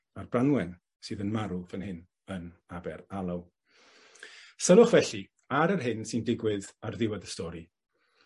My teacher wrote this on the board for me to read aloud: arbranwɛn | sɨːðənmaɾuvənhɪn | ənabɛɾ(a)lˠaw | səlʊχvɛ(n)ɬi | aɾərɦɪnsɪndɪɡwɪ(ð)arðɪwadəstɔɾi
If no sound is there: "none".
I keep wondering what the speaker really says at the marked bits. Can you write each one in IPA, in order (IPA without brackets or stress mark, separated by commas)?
a, none, ð